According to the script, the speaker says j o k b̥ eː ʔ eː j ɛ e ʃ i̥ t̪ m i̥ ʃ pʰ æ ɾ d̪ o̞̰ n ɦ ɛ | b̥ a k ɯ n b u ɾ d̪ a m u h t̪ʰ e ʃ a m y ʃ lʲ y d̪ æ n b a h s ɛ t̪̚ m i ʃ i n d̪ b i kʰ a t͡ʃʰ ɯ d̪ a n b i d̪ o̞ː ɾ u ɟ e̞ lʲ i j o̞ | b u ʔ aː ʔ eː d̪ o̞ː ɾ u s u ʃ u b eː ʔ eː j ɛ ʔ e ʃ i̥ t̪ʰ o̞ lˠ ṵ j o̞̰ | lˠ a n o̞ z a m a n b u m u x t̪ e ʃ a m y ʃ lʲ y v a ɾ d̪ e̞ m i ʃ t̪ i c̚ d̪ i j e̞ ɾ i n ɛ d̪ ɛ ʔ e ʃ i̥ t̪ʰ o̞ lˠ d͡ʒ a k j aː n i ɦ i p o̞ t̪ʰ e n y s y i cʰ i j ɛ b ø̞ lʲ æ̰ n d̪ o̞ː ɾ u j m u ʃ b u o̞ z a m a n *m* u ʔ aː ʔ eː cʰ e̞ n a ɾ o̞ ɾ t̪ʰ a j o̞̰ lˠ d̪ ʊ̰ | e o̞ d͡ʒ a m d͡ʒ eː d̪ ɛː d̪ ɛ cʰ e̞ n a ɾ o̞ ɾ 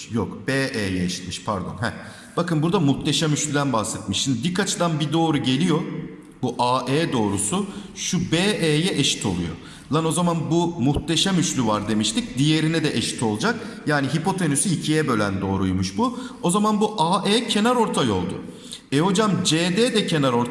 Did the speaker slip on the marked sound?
yes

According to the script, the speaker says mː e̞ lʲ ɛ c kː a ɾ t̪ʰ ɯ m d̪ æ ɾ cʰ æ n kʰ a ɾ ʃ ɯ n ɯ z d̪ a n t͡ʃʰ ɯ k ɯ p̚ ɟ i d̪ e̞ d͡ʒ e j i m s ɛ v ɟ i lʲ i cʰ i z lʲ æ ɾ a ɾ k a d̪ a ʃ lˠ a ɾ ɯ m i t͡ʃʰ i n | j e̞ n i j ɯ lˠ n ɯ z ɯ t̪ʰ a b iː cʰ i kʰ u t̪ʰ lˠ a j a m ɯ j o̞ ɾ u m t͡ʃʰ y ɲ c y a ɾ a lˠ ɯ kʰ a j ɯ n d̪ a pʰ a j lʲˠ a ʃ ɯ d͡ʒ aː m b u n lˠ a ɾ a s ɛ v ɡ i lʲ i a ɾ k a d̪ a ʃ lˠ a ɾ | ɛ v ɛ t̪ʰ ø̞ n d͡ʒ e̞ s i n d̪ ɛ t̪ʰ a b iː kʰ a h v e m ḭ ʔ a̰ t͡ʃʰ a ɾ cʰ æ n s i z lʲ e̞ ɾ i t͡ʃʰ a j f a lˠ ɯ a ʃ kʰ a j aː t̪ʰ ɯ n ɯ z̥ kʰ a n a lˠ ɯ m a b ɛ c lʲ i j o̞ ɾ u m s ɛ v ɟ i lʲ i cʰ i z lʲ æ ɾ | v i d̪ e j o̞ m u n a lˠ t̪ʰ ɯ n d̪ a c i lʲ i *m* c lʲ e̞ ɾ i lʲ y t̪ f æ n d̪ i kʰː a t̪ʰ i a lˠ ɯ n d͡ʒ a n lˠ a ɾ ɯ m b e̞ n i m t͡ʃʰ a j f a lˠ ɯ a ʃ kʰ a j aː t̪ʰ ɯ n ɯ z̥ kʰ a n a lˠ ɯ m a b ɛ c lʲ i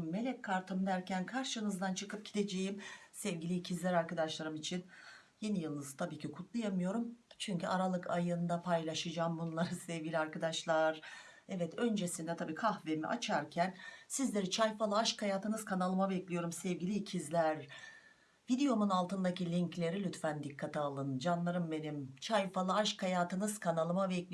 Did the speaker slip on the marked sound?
yes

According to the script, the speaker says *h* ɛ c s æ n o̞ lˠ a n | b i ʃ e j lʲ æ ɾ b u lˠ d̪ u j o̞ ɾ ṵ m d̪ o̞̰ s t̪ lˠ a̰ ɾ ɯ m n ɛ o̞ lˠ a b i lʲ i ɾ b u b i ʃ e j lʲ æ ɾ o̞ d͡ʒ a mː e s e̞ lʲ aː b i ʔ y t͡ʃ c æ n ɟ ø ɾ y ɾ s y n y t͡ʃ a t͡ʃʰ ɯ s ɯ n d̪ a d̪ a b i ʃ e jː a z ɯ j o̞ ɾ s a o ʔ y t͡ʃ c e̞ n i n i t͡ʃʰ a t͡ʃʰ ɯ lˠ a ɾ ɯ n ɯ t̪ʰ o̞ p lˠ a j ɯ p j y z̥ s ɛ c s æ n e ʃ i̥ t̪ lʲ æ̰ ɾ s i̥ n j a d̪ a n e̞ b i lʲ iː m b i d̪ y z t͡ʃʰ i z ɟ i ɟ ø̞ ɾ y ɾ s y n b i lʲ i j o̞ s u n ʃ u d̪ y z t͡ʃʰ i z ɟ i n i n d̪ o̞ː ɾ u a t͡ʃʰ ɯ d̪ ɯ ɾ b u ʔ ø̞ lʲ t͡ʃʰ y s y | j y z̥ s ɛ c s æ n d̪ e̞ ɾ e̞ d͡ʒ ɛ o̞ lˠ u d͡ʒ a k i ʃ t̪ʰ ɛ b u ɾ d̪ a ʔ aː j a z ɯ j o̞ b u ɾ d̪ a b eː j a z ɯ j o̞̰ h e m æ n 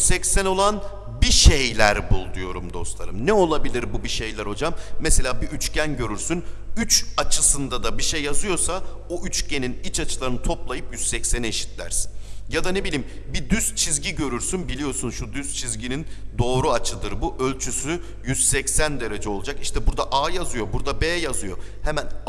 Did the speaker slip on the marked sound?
yes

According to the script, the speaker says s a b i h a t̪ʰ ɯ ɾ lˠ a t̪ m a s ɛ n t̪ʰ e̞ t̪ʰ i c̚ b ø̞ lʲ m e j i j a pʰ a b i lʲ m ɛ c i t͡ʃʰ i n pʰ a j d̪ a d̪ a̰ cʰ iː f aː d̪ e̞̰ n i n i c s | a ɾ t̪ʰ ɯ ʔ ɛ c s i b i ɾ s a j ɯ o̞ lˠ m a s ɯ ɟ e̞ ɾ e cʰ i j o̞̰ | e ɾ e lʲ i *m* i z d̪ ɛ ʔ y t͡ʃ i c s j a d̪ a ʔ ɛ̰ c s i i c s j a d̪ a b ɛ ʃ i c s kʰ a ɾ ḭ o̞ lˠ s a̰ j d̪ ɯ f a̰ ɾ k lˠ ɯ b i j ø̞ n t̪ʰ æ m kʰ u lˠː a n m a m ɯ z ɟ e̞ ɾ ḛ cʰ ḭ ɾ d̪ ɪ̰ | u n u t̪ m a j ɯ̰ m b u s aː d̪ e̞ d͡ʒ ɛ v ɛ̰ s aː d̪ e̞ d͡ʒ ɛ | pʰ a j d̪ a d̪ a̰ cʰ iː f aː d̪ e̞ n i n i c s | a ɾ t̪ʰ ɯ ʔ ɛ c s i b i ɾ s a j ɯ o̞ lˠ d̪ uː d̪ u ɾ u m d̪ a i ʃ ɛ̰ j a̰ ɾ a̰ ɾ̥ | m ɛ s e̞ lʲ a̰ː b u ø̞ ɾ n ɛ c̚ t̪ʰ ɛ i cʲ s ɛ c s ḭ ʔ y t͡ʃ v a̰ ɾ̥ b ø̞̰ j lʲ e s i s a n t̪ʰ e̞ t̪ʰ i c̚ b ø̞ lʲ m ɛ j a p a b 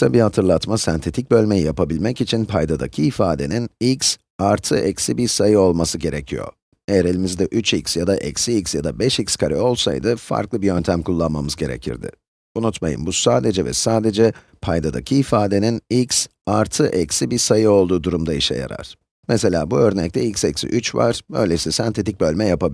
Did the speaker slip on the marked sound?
no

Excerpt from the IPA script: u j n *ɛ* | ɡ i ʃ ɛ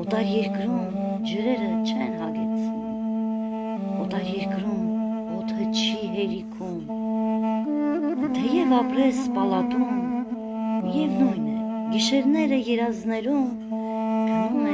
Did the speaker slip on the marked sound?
no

